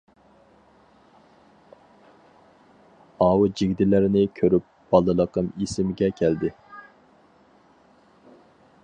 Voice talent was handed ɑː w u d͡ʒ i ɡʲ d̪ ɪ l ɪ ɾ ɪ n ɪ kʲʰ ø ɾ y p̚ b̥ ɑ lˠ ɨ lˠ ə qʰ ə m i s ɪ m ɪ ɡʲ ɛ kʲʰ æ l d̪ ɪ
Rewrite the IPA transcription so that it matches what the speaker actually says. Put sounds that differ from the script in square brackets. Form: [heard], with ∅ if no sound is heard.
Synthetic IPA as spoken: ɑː w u d͡ʒ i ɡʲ d̪ ɪ l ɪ ɾ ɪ n ɪ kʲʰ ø ɾ y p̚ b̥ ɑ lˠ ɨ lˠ ə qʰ ə m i s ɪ m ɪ ɡʲ ɛ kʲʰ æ l d̪ ɪ